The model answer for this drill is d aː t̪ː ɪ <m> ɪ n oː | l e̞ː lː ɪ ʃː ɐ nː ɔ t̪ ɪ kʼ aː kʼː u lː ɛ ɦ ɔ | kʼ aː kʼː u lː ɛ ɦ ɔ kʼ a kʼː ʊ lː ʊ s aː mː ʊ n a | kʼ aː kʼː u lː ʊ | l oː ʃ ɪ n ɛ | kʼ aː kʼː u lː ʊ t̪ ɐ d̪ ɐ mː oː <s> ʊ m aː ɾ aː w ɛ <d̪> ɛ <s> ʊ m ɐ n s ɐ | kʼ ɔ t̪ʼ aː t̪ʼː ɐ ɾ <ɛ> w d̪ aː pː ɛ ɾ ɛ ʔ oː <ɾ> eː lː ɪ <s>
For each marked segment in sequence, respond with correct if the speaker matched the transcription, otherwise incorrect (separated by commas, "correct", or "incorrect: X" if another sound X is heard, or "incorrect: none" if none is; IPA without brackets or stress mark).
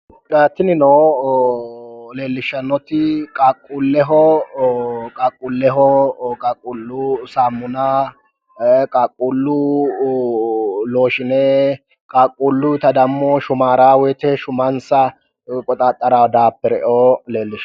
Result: incorrect: n, incorrect: ʃ, incorrect: t̪, incorrect: ʃ, incorrect: a, incorrect: l, incorrect: ʃ